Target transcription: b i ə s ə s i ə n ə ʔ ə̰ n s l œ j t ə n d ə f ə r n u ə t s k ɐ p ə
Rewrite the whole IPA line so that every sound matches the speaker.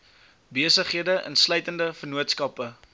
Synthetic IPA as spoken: b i ə s ə χ i ə d ə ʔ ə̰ n s l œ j t ə n d ə f ə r n u ə t s k ɐ p ə